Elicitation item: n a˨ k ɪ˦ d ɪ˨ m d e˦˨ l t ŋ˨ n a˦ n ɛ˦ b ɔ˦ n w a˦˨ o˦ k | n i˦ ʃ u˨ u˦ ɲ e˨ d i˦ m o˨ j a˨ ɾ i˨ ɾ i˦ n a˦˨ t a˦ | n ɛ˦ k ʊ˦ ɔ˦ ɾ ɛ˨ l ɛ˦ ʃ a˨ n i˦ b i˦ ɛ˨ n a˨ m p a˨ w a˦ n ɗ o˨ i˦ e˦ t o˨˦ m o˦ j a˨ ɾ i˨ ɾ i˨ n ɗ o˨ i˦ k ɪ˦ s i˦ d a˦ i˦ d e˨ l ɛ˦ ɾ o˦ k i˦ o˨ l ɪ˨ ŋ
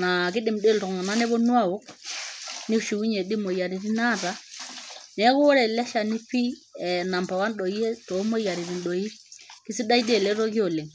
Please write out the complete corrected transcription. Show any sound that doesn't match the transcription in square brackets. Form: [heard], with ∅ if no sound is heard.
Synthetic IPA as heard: n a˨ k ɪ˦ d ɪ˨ m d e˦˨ l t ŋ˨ n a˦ n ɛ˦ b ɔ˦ n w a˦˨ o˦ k | n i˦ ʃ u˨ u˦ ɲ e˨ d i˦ m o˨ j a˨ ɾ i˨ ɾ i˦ n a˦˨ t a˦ | n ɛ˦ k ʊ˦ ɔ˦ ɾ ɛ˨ l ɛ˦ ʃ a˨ n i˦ [p] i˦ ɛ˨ n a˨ m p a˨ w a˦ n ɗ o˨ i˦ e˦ t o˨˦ m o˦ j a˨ ɾ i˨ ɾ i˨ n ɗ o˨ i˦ k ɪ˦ s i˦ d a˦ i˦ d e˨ l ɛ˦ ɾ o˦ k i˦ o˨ l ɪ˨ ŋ